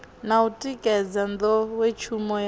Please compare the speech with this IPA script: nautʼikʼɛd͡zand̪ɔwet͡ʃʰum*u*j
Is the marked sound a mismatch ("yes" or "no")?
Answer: yes